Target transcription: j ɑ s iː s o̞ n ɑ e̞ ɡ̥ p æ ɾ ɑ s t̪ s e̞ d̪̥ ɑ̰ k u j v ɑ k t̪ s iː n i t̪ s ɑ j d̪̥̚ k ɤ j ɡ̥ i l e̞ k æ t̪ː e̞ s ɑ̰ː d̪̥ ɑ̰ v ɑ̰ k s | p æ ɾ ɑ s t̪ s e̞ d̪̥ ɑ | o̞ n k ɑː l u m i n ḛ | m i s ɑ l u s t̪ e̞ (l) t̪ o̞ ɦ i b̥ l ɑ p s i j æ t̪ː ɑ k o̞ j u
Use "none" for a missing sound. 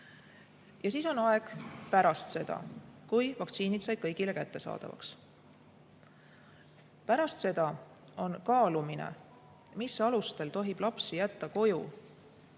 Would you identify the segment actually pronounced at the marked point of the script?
l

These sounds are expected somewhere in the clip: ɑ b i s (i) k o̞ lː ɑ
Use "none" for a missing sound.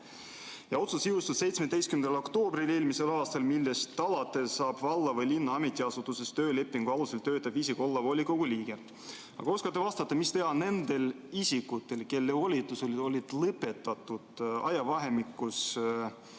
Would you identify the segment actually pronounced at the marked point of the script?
i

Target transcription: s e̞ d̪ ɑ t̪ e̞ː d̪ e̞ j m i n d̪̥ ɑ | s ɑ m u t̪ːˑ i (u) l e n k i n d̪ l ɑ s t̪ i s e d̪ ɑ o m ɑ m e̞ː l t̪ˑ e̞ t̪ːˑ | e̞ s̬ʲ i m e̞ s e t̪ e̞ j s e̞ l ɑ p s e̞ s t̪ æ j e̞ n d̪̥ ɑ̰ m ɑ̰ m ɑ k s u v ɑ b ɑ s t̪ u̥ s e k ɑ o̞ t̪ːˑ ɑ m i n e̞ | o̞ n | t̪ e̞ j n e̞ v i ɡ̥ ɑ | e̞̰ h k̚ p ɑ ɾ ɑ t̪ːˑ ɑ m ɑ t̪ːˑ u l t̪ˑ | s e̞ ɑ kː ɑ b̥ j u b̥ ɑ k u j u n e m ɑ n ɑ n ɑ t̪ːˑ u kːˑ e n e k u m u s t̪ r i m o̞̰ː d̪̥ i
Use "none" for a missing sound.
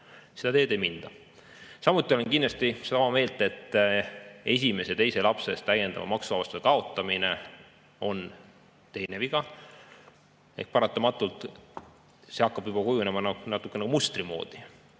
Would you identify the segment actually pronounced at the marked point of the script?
o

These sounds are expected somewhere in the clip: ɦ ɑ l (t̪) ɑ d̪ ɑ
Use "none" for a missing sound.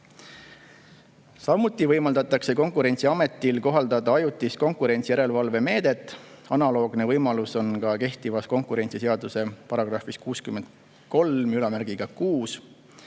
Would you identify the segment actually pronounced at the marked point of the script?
d̪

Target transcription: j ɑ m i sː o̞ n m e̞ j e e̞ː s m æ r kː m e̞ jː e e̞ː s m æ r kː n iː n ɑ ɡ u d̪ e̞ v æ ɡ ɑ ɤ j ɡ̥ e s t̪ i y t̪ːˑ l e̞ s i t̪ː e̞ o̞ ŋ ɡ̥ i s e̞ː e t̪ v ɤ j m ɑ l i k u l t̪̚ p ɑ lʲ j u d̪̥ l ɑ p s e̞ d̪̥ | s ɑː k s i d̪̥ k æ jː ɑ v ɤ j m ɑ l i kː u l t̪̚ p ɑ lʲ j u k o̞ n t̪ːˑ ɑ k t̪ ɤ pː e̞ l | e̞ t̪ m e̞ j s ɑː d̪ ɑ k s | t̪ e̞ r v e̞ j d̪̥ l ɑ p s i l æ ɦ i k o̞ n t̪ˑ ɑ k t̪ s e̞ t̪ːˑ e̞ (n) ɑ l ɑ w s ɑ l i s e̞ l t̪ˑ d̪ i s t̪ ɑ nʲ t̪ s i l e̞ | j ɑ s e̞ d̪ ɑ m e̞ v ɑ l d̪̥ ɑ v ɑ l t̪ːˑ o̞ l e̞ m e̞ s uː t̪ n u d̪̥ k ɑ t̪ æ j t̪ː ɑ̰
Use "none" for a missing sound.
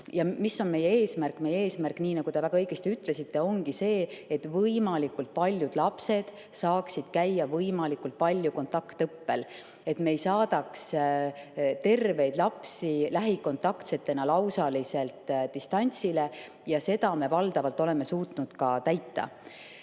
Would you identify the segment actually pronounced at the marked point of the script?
n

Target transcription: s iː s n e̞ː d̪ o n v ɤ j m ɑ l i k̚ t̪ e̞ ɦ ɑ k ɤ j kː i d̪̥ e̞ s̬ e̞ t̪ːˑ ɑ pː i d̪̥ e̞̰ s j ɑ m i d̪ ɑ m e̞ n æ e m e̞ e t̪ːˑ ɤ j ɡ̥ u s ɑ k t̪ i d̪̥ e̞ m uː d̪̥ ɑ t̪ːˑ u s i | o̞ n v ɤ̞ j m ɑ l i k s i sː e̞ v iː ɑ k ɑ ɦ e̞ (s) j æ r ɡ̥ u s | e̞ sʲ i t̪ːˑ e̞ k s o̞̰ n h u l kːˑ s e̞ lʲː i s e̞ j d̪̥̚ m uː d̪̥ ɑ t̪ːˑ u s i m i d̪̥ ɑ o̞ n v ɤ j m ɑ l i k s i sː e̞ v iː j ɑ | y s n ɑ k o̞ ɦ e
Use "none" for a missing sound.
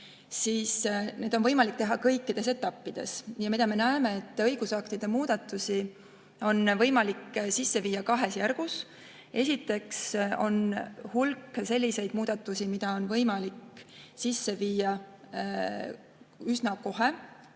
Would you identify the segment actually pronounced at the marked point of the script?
s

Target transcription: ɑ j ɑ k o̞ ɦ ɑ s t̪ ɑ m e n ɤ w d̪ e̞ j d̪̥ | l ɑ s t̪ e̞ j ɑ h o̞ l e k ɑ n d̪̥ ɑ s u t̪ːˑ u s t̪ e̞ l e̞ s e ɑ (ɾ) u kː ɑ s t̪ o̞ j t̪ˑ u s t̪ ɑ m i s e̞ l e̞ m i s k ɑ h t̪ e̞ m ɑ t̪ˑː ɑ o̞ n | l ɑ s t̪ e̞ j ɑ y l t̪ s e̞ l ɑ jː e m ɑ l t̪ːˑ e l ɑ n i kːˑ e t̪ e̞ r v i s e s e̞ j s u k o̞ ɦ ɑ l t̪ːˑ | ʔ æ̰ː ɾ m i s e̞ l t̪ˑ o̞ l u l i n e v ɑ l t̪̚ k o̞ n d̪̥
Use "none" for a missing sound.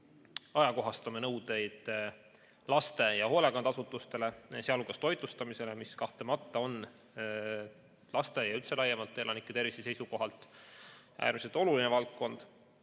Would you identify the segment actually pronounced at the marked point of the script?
l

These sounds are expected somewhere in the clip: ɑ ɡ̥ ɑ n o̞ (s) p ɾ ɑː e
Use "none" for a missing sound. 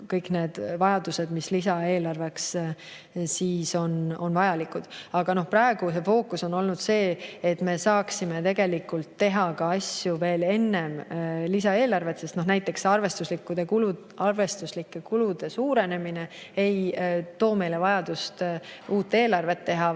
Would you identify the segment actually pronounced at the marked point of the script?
h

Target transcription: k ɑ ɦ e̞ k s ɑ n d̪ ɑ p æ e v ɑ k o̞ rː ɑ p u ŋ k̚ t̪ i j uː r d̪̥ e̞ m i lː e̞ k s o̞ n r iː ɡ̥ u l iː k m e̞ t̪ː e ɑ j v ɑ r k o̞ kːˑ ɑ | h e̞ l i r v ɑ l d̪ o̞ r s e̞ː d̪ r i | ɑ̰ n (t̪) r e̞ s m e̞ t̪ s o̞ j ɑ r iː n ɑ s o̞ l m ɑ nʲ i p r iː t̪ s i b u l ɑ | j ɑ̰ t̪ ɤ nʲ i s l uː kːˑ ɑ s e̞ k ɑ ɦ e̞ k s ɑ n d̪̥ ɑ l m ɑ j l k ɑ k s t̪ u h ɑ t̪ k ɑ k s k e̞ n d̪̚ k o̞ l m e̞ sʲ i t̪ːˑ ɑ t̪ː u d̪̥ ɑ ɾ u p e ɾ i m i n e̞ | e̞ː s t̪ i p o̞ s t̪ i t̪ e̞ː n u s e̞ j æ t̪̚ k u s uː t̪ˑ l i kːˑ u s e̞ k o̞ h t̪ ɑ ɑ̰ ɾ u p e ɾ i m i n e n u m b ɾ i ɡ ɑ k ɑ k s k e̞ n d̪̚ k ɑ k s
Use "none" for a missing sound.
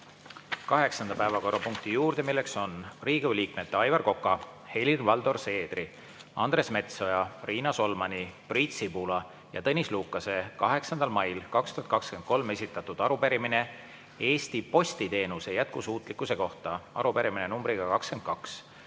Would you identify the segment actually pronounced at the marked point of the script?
d̪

